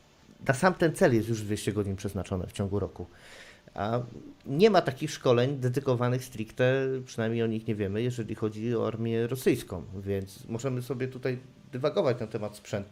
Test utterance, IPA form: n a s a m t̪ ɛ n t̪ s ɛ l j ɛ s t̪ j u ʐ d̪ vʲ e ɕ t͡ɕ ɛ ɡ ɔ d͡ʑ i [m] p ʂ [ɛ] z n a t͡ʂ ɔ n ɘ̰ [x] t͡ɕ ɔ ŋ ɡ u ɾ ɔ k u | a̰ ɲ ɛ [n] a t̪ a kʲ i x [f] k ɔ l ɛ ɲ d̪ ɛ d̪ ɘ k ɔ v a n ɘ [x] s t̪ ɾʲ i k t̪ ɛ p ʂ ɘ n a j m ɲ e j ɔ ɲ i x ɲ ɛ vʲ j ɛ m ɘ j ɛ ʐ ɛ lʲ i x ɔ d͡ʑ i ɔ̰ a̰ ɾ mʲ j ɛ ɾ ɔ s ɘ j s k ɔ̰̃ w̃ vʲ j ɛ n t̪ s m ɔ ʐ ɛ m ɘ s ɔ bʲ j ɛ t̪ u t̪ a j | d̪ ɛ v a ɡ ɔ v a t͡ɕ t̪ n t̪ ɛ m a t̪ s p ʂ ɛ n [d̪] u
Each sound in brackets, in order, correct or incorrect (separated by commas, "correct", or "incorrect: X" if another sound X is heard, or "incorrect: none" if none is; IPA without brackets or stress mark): incorrect: ɲ, correct, incorrect: f, incorrect: m, incorrect: ʂ, correct, incorrect: t̪